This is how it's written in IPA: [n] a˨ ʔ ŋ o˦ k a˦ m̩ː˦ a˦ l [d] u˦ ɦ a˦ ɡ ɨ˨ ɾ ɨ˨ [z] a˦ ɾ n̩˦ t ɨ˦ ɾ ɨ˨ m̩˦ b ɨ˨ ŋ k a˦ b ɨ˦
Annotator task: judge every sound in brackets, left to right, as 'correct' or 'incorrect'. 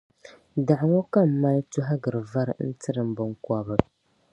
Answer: incorrect, incorrect, incorrect

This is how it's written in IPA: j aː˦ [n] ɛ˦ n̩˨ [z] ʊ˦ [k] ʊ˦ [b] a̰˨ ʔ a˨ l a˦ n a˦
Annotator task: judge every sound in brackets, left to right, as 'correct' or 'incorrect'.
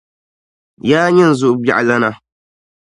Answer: incorrect, correct, incorrect, correct

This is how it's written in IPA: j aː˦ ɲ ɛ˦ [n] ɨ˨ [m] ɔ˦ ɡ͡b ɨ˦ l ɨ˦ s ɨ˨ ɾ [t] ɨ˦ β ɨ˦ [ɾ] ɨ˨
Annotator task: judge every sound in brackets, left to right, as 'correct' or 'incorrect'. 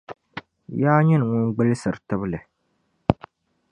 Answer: correct, incorrect, correct, incorrect

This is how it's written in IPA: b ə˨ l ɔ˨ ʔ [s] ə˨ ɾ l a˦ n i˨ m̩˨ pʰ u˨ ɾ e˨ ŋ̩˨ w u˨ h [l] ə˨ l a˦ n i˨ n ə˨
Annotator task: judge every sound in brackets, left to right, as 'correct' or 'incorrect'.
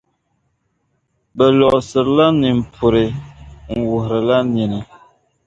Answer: correct, incorrect

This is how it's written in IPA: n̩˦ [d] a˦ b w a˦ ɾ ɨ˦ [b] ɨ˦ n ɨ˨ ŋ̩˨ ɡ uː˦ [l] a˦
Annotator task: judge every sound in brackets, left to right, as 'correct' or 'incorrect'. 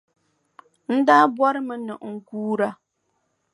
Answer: correct, incorrect, incorrect

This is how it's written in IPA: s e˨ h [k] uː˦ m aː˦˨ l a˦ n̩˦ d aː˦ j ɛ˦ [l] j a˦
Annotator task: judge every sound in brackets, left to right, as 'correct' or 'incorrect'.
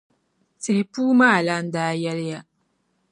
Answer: incorrect, correct

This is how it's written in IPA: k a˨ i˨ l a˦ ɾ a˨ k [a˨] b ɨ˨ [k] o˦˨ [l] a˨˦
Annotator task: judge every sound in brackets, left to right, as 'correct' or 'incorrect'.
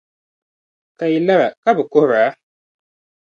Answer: incorrect, correct, incorrect

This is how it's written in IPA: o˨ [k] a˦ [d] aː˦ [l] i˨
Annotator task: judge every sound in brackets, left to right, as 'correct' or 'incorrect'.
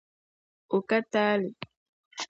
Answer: correct, incorrect, correct

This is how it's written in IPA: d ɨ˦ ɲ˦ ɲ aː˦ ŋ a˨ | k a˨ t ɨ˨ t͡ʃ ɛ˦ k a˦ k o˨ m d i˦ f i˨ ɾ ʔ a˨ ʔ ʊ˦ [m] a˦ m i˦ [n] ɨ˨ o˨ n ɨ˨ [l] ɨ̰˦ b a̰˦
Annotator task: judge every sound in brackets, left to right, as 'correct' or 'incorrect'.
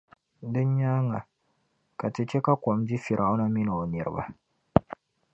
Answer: incorrect, correct, incorrect

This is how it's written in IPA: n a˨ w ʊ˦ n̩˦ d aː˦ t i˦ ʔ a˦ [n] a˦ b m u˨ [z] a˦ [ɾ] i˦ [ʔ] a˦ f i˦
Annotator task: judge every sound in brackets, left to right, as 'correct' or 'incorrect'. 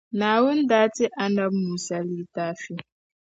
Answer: correct, incorrect, incorrect, incorrect

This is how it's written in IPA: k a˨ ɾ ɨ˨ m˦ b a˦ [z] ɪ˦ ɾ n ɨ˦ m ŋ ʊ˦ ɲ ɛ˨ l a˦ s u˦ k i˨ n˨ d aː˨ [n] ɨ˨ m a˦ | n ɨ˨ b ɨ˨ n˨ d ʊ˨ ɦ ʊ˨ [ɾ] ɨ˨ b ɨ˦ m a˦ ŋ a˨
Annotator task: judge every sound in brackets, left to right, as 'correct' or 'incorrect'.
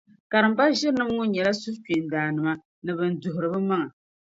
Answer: incorrect, correct, correct

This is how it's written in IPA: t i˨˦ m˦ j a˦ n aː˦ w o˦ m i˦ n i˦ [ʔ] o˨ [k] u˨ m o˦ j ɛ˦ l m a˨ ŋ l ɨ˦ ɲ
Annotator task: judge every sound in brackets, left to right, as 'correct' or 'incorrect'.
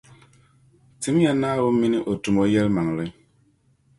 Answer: correct, incorrect

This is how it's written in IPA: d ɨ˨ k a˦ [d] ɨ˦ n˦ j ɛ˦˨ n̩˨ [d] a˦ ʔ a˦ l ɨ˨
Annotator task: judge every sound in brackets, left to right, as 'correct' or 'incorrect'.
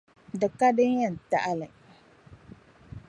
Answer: correct, incorrect

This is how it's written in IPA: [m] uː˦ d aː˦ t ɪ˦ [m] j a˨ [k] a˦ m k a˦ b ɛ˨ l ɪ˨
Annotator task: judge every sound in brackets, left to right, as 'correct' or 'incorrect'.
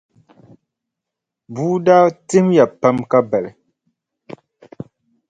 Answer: incorrect, correct, incorrect

